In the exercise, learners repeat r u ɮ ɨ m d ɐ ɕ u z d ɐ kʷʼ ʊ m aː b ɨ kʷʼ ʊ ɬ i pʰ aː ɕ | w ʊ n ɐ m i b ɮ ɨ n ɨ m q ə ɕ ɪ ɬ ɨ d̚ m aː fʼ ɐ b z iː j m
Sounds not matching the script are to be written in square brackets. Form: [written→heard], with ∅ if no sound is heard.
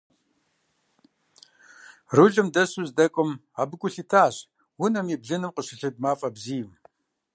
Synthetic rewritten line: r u ɮ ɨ m d ɐ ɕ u z d ɐ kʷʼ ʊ m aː b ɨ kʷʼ ʊ ɬ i [pʰ→tʰ] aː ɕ | w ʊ n ɐ m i b ɮ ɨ n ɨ m q ə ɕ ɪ ɬ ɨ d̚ m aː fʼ ɐ b z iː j m